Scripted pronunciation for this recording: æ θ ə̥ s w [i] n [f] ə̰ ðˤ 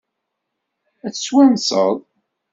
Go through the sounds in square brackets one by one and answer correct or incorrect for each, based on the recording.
incorrect, incorrect

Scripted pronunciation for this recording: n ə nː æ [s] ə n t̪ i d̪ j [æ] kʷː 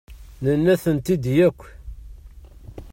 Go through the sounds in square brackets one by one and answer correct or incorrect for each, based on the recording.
incorrect, correct

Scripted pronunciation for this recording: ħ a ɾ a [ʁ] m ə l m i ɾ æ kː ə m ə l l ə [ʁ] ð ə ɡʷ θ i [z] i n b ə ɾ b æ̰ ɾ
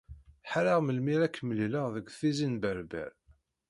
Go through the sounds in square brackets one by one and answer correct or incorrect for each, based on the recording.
correct, correct, correct

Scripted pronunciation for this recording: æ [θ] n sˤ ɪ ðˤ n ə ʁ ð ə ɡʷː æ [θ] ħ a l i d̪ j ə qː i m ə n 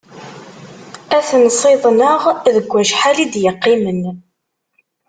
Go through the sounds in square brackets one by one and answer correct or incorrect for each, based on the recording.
correct, incorrect

